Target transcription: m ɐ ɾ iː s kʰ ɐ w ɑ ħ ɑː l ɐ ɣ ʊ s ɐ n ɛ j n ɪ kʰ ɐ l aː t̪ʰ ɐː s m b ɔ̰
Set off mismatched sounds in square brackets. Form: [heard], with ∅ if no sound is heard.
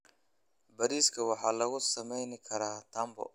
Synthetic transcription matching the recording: [b] ɐ ɾ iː s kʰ ɐ w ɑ ħ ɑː l ɐ ɣ ʊ s ɐ [m] ɛ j n ɪ kʰ ɐ [ɾ] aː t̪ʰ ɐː [∅] m b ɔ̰

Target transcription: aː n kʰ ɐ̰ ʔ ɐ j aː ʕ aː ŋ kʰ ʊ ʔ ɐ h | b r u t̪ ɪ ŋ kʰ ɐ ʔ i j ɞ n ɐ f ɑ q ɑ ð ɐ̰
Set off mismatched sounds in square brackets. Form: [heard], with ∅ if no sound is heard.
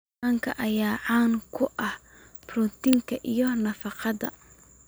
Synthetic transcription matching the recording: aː [ŋ] kʰ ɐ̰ ʔ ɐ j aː ʕ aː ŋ kʰ ʊ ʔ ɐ h | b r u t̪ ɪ ŋ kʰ ɐ ʔ i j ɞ n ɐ f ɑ q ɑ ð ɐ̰

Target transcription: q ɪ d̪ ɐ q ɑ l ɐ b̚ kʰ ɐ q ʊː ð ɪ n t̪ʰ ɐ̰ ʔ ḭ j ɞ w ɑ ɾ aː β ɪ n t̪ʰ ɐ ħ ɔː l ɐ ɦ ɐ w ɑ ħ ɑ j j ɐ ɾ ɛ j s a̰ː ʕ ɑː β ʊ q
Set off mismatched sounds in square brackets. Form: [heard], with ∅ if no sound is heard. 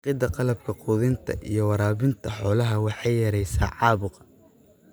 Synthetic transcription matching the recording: q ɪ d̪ ɐ q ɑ l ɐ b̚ kʰ ɐ q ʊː ð ɪ n t̪ʰ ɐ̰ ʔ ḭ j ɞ w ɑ ɾ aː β ɪ n t̪ʰ ɐ ħ ɔː l ɐ ɦ ɐ w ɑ ħ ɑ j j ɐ ɾ ɛ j s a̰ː ʕ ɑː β ʊ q

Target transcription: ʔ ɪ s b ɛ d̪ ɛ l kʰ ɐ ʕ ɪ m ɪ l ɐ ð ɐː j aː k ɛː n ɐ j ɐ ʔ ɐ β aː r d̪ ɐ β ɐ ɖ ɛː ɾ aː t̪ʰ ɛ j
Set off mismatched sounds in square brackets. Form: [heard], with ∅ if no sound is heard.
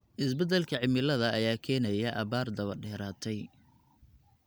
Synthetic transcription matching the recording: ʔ ɪ s b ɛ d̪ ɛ l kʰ ɐ ʕ ɪ m ɪ l ɐ ð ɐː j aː [kʰ] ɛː n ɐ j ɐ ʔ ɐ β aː r d̪ ɐ β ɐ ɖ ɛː ɾ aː t̪ʰ ɛ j

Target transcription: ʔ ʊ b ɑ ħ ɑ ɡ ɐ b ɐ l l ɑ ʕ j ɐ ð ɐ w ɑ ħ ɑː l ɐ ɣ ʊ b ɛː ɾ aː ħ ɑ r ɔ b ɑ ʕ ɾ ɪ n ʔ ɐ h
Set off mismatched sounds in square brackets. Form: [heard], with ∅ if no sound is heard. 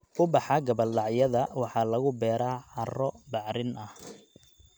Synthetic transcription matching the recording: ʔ ʊ b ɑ ħ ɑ ɡ ɐ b ɐ l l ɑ ʕ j ɐ ð ɐ w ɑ ħ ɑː l ɐ ɣ ʊ b ɛː ɾ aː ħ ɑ r ɔ b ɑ ʕ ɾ ɪ n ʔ ɐ h

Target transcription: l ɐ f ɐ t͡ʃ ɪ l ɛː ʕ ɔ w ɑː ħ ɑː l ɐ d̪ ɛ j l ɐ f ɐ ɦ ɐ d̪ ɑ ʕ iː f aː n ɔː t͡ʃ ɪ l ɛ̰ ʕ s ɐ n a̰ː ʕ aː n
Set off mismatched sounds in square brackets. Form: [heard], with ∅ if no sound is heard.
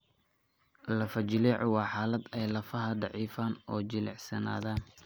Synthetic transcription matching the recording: l ɐ f ɐ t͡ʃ ɪ l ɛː ʕ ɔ w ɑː ħ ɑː l ɐ d̪ ɛ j l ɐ f ɐ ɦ ɐ d̪ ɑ ʕ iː f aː n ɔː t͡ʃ ɪ l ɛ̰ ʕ s ɐ n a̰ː [ð] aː n

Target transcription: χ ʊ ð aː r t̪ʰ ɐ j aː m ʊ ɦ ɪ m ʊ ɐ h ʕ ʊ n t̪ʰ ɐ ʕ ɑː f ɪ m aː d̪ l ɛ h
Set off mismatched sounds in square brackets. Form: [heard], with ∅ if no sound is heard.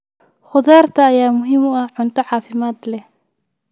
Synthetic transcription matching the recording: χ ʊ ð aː r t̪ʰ [ɐː] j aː m ʊ ɦ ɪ m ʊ ɐ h ʕ ʊ n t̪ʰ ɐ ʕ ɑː f ɪ m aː d̪ l ɛ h

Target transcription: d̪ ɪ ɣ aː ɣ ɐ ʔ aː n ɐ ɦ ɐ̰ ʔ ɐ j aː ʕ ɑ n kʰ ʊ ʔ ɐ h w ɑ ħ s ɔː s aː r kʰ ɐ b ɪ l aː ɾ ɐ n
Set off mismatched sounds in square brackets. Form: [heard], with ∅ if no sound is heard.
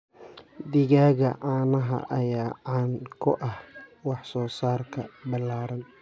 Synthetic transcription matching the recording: d̪ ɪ ɣ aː ɣ ɐ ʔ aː n ɐ ɦ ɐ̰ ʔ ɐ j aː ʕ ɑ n kʰ ʊ ʔ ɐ h w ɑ ħ s ɔː s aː r kʰ ɐ b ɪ l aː ɾ ɐ n

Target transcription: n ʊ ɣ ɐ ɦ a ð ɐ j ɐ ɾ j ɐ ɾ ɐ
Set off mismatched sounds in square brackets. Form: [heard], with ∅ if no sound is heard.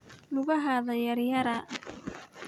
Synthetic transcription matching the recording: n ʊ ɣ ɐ ɦ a ð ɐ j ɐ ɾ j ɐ ɾ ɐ

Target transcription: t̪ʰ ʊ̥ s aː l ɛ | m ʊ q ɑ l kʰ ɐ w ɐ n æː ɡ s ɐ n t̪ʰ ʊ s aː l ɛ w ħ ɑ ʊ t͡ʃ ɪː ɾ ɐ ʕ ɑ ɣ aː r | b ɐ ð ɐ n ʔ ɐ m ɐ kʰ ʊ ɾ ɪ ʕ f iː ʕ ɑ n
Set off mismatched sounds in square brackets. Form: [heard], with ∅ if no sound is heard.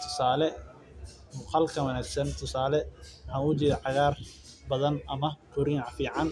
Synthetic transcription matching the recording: t̪ʰ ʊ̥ s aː l ɛ | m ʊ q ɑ l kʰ ɐ w ɐ n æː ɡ s ɐ n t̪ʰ ʊ s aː l ɛ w ħ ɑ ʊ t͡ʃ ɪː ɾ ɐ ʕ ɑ ɣ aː r | b ɐ ð ɐ n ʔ ɐ m ɐ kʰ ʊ ɾ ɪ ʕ f iː ʕ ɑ n

